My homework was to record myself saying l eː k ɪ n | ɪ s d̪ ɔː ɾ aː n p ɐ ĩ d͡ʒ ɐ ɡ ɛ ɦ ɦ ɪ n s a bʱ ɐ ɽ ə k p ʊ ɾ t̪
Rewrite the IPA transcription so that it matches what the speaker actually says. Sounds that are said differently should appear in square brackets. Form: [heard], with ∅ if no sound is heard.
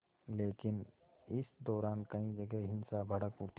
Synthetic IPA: l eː k ɪ n | ɪ s d̪ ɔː ɾ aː n [k] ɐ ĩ d͡ʒ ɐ ɡ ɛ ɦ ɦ ɪ n s a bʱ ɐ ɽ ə k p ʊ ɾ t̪